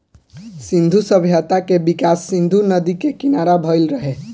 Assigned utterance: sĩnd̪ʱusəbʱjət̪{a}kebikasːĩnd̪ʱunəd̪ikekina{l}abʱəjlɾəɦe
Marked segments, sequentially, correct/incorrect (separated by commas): correct, incorrect